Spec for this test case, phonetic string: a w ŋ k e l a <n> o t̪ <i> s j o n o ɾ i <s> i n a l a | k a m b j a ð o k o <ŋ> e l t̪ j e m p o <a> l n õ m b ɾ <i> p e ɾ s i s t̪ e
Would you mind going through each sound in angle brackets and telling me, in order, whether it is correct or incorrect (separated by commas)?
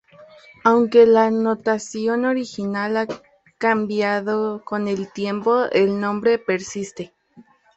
correct, incorrect, incorrect, incorrect, incorrect, incorrect